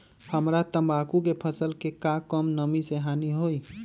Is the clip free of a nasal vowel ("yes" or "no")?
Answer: yes